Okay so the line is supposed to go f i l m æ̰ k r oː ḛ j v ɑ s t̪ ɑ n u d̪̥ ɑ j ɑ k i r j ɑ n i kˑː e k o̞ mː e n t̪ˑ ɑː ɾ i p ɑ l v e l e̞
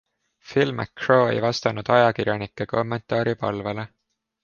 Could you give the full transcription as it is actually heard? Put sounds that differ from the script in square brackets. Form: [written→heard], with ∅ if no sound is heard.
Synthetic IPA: f i l m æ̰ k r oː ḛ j v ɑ s t̪ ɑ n u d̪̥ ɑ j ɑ k i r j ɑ n i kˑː e k o̞ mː e n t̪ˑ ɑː ɾ i p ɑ l v e l e̞